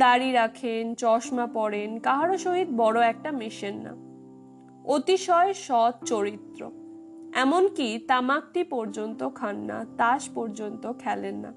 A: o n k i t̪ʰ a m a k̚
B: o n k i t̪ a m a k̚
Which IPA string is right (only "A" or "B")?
B